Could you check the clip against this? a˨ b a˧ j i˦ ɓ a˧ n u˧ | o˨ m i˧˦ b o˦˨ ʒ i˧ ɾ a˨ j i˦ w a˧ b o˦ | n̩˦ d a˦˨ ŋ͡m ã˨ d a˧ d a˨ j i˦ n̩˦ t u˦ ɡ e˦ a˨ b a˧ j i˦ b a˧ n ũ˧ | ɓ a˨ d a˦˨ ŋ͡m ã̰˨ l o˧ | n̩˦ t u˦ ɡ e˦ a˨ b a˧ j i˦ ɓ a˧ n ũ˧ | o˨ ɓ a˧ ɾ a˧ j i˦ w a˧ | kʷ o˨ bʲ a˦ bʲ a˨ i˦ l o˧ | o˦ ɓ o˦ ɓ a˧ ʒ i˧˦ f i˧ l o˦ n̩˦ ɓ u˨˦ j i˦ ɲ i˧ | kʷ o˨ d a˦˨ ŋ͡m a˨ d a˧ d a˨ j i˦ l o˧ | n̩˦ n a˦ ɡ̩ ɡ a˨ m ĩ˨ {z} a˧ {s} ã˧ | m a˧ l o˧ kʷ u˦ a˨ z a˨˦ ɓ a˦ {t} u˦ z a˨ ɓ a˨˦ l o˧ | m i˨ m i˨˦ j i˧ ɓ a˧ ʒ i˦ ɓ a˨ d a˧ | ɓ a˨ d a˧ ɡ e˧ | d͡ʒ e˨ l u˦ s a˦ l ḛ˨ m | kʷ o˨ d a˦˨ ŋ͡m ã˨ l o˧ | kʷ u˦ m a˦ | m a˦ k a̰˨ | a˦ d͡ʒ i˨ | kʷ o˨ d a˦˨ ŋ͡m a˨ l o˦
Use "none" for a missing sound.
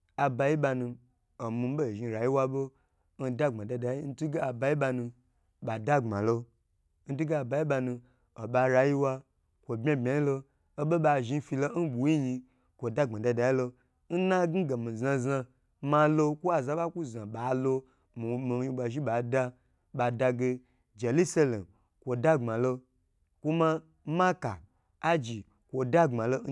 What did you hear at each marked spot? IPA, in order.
z, z, k

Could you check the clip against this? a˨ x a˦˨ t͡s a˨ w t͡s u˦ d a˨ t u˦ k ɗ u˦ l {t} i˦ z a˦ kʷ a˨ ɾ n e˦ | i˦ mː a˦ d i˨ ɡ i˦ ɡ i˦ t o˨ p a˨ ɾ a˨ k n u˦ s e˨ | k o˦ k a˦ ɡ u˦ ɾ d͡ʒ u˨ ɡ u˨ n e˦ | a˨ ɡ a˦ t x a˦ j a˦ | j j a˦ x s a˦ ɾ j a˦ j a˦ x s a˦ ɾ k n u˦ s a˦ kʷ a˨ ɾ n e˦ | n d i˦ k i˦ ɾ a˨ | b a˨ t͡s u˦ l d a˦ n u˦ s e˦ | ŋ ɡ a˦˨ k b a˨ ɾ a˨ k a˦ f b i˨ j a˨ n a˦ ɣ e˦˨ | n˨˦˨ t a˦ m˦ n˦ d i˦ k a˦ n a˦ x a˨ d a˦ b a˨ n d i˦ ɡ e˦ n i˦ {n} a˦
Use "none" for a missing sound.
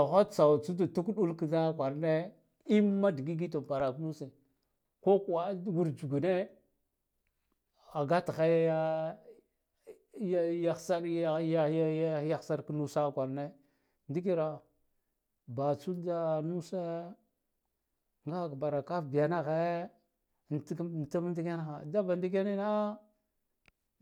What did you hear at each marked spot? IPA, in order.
k, n

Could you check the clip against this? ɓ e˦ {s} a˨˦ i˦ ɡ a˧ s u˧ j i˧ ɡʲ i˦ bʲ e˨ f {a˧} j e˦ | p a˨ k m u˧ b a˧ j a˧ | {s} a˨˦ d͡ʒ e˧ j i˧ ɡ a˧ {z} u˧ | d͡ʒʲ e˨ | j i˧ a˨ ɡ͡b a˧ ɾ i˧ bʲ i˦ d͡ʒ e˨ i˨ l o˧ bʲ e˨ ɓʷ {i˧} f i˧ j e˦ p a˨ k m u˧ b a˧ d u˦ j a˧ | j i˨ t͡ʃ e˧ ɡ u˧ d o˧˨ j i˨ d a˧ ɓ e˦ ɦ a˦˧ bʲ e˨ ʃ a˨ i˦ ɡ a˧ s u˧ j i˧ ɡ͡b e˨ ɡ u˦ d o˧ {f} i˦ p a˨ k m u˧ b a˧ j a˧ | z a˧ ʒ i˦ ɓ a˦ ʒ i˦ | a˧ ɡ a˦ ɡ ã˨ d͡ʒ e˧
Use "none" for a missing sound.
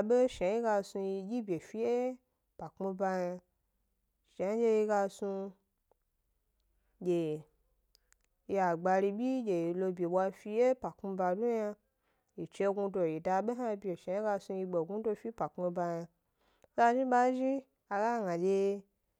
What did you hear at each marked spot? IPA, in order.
ʃ, i˧, ʃ, s, a˧, f

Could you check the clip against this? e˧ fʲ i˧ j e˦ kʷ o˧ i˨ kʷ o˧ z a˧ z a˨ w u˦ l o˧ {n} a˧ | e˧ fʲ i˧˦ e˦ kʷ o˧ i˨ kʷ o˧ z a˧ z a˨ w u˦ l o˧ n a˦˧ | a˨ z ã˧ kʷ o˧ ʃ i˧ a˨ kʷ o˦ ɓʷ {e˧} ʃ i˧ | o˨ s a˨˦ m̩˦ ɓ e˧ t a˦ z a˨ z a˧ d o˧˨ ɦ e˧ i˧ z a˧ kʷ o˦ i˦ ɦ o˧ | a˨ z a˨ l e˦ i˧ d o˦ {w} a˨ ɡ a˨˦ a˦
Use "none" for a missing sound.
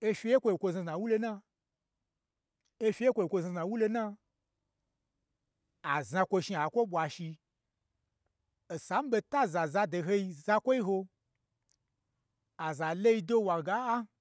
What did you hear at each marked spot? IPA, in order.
n, a˧, w

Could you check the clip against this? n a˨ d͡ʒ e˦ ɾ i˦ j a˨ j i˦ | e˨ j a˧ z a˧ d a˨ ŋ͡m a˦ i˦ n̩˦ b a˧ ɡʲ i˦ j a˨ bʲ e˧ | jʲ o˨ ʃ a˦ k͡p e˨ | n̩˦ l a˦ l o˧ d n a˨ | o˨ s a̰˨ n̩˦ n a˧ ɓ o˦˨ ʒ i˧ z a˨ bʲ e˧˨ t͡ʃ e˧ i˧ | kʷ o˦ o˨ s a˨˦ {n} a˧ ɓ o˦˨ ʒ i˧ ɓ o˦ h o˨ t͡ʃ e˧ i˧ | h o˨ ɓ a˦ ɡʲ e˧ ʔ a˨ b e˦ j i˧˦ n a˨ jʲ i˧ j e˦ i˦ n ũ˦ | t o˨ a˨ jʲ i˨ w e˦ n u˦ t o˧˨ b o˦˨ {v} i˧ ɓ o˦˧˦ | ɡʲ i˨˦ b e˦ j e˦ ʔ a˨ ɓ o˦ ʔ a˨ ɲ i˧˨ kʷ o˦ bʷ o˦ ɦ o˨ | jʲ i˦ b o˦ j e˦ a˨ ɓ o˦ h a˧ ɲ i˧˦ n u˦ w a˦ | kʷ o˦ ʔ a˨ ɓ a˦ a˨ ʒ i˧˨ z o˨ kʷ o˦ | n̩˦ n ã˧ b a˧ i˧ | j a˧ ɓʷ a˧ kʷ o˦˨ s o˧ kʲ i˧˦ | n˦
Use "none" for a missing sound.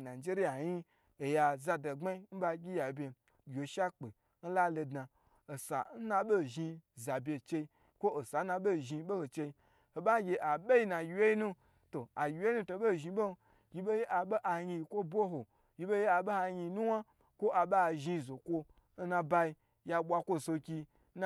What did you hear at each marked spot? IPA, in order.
n, ʒ

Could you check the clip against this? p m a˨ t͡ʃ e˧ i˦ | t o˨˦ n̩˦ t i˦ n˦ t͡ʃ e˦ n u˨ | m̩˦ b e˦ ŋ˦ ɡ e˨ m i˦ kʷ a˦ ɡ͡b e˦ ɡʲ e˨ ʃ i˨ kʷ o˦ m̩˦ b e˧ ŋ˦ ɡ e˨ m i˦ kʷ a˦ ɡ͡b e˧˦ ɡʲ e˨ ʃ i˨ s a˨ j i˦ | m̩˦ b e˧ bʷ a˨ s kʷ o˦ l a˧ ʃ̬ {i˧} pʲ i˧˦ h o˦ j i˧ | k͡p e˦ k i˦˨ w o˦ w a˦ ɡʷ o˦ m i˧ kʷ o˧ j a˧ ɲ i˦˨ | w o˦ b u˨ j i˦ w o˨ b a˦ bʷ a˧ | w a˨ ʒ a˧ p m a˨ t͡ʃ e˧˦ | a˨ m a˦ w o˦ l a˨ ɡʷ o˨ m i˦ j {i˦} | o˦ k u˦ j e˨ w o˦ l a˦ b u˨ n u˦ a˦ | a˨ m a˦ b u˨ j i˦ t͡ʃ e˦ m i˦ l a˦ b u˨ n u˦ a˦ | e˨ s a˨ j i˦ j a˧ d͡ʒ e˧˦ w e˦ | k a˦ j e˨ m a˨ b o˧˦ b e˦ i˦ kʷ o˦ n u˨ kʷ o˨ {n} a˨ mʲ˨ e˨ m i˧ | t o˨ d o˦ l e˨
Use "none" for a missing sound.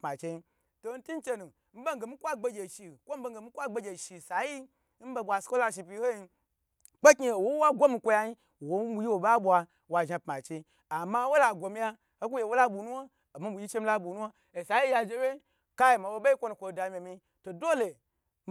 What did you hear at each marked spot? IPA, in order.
i˧, a˦, d

